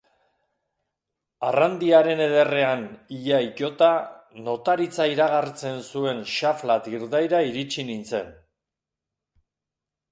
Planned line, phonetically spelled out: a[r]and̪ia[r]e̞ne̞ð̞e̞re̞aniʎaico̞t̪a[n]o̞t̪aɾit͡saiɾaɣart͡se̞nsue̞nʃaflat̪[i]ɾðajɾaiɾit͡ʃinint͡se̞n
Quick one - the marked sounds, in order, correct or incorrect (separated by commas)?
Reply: correct, incorrect, correct, correct